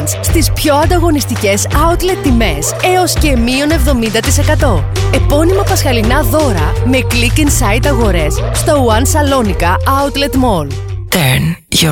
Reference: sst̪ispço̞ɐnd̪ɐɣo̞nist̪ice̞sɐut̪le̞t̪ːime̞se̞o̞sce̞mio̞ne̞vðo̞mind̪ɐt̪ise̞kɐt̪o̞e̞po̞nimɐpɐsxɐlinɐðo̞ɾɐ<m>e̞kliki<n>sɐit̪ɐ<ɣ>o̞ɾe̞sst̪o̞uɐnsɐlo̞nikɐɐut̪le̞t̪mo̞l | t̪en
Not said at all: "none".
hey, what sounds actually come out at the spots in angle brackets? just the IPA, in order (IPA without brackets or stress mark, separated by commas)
m, n, ɣ